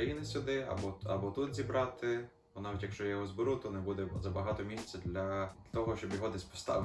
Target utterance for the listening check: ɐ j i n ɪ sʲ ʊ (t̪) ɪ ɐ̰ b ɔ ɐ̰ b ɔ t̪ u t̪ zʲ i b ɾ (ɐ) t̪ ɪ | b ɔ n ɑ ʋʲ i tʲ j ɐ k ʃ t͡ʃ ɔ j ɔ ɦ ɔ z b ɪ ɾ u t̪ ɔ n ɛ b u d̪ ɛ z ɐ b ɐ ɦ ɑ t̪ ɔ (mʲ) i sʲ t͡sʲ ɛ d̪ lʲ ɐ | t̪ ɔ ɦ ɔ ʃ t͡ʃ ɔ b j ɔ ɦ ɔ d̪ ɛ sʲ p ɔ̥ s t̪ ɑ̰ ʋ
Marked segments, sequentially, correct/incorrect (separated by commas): incorrect, incorrect, correct